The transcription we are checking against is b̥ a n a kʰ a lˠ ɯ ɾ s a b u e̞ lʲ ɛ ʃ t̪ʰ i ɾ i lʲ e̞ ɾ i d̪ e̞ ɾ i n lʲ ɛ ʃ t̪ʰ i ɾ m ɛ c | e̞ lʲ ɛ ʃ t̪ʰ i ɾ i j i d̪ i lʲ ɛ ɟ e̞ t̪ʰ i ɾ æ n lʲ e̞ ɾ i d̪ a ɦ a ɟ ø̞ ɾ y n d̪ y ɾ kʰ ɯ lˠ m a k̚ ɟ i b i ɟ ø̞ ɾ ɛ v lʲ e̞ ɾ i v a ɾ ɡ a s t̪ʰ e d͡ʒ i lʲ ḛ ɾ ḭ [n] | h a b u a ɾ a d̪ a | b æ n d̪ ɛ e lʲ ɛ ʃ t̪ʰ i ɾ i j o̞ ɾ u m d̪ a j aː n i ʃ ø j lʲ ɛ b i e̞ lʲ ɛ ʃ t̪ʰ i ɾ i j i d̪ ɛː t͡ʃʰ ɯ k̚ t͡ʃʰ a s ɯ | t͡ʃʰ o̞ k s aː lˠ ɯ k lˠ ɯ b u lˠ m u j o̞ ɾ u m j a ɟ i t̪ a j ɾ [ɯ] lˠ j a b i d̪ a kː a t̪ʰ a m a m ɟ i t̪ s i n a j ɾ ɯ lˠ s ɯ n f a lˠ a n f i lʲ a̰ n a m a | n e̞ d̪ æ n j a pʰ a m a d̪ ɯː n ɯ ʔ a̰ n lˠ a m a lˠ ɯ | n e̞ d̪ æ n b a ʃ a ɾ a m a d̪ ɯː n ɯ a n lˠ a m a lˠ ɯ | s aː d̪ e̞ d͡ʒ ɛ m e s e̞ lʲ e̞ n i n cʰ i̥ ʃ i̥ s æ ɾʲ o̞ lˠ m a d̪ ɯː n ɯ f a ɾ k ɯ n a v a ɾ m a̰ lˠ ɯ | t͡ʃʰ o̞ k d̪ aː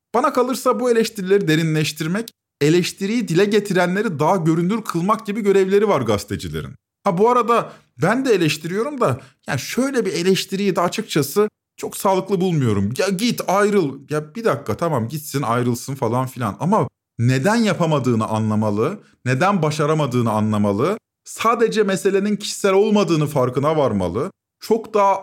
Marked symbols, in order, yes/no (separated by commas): yes, yes